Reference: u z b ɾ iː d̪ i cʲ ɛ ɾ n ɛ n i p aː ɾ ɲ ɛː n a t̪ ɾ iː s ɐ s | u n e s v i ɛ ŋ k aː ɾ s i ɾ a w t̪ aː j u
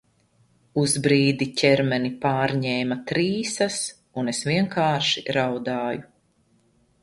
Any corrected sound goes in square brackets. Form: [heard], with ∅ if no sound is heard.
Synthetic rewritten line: u z b ɾ iː d̪ i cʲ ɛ ɾ [m] ɛ n i p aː ɾ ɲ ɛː [m] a t̪ ɾ iː s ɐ s | u n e s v i ɛ ŋ k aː ɾ [ʃ] i ɾ a w [d̪] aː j u